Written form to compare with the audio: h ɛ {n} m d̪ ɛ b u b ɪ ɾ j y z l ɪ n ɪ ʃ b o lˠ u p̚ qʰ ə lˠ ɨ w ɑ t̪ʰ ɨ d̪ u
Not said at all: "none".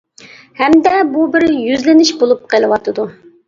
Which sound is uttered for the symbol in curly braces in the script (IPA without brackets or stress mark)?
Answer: none